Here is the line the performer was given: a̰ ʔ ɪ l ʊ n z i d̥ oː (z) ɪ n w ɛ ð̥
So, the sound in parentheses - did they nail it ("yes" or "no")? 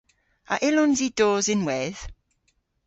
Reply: yes